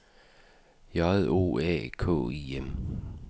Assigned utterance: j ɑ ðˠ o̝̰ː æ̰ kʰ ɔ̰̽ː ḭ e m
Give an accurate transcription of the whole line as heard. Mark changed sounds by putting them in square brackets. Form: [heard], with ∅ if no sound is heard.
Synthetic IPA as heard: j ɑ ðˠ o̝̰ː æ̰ kʰ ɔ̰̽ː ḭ e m